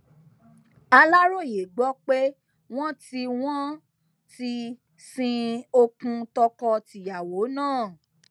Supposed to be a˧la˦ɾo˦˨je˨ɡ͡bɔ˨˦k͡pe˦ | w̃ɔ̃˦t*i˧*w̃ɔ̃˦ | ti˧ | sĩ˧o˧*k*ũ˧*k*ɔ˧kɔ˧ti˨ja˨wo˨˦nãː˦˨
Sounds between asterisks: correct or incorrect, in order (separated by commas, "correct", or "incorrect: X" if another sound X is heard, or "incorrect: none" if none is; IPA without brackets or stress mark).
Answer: correct, correct, incorrect: t